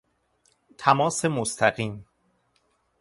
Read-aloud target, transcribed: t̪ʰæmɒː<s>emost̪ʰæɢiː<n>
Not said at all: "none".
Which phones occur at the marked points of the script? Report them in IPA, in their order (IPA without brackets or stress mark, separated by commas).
s, m